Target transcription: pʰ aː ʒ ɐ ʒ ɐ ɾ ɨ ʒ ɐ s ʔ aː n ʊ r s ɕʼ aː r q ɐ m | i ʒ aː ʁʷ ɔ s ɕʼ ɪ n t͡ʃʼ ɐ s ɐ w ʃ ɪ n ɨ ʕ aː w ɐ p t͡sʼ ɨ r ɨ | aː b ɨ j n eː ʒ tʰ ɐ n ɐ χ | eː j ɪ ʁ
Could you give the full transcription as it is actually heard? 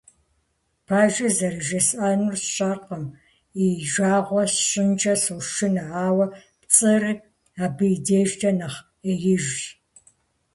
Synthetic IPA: pʰ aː ʒ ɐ z ɐ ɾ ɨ ʒ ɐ s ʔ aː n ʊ r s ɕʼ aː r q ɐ m | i ʒ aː ʁʷ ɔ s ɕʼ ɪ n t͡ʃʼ ɐ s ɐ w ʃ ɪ n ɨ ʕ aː w ɐ p t͡sʼ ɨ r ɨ | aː b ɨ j d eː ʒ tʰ ɐ n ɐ χ | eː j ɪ ʒ